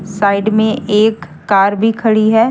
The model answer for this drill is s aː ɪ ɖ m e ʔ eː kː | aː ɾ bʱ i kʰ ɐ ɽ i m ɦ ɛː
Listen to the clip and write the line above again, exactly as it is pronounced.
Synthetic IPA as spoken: s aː ɪ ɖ m ẽ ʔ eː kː | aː ɾ bʱ i kʰ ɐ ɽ i ɦ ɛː